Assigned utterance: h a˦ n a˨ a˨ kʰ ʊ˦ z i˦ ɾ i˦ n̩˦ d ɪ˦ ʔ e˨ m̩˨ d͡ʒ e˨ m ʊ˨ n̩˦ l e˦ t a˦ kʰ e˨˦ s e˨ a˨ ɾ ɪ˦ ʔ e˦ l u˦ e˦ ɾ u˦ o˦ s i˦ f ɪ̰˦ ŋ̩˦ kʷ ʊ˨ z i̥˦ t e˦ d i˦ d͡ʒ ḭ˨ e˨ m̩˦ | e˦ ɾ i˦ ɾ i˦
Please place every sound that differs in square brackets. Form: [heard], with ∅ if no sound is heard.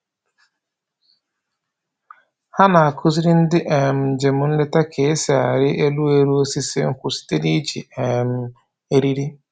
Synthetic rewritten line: h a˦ n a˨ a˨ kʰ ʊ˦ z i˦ ɾ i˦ n̩˦ d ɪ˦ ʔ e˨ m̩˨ d͡ʒ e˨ m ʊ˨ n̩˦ l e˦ t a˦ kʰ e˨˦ s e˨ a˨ ɾ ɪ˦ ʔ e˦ l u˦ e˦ ɾ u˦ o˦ s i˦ [s] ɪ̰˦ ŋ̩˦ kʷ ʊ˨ [s] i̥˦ t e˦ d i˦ d͡ʒ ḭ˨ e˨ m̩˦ | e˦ ɾ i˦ ɾ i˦